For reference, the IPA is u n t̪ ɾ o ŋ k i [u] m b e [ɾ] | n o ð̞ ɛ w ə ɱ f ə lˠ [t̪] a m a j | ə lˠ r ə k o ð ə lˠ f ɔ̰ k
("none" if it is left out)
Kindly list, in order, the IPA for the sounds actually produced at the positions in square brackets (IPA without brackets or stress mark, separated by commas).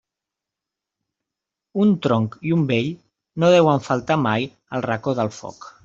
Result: u, ʎ, t̪